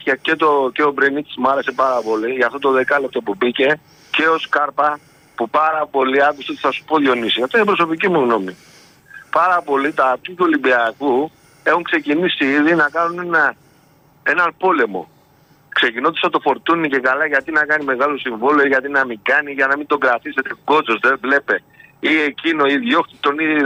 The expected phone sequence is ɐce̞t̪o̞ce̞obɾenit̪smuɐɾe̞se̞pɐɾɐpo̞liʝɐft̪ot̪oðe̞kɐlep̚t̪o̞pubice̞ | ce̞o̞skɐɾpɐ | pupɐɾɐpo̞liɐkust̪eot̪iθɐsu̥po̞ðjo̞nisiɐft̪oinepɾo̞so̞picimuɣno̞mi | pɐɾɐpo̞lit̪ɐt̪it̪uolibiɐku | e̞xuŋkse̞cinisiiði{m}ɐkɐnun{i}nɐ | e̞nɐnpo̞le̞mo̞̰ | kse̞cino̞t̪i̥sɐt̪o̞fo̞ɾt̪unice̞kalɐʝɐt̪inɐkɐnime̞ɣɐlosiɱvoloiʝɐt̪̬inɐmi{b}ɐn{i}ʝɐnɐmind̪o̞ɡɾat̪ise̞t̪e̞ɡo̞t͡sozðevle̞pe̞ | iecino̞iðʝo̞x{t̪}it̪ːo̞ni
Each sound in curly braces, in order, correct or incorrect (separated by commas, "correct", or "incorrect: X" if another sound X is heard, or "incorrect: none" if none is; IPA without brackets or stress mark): incorrect: n, incorrect: e, incorrect: ɡ, correct, correct